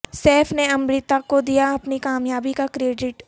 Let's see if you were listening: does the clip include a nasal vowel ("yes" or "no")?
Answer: no